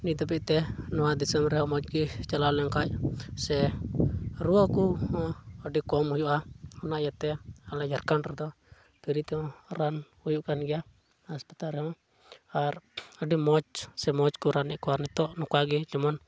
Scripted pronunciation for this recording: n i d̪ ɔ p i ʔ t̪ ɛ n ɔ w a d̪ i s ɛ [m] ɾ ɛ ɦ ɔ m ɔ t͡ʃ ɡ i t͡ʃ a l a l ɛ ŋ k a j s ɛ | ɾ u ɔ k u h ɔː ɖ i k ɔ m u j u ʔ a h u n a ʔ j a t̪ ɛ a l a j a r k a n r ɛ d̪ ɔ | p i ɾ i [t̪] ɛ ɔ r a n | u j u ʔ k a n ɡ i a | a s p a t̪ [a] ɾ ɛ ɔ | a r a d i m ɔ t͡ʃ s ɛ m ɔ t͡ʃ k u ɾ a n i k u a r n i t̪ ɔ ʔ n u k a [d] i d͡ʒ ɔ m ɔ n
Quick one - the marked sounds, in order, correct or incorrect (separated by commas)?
correct, correct, correct, incorrect